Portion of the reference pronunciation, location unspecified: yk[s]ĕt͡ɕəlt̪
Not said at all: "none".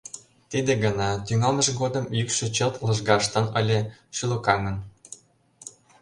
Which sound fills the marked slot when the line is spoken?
ʃ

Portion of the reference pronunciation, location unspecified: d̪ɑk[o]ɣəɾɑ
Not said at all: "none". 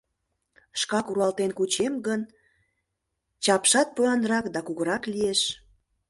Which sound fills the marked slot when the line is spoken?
u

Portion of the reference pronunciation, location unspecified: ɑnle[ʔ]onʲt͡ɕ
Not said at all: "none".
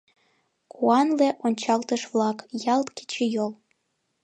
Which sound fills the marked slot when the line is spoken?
ʔ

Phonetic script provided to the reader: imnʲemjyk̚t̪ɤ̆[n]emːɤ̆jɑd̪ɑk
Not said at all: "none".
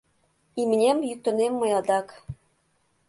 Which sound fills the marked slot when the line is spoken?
n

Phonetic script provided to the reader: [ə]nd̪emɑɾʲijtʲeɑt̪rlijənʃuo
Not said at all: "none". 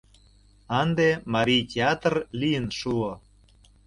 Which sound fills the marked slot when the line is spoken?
ɑ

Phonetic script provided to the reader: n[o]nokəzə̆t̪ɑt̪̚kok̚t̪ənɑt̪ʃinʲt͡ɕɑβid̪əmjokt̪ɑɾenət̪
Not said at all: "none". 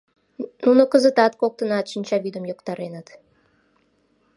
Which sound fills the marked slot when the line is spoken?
u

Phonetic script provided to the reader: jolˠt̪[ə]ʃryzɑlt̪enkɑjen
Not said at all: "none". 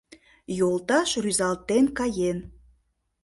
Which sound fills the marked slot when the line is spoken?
ɑ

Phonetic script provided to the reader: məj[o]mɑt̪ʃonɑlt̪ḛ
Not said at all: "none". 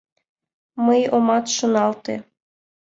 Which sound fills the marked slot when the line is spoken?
o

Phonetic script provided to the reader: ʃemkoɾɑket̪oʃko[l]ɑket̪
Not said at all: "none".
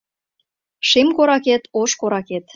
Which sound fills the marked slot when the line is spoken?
ɾ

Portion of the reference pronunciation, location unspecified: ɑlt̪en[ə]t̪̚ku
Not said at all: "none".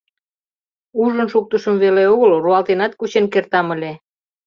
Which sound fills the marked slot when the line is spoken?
ɑ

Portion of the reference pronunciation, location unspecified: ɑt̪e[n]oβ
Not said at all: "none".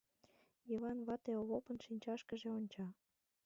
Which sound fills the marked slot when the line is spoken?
none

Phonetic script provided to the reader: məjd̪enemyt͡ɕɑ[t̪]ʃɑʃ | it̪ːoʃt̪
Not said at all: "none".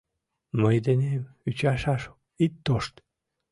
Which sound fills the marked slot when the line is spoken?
none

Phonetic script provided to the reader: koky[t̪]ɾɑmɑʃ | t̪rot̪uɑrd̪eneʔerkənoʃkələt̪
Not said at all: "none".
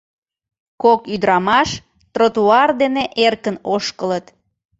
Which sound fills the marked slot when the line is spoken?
d̪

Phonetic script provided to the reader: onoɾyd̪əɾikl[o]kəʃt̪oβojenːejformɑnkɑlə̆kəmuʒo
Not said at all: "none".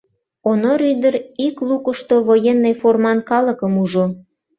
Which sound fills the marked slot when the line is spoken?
u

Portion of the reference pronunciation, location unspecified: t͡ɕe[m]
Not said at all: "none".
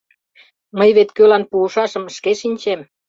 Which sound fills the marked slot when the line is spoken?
m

